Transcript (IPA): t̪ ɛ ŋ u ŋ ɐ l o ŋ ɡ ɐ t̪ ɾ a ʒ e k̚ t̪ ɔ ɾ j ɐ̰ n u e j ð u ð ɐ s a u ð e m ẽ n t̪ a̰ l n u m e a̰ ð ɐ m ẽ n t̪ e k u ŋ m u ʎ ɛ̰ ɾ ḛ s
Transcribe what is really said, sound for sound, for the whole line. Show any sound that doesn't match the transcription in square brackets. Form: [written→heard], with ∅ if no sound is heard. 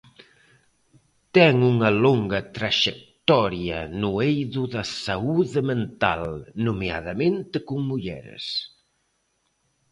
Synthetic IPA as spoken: t̪ ɛ ŋ u ŋ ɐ l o ŋ ɡ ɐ t̪ ɾ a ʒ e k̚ t̪ ɔ ɾ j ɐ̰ n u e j ð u ð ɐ s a u ð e m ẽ n t̪ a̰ l n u m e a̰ ð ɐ m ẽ n t̪ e k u ŋ m u ʎ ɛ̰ ɾ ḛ s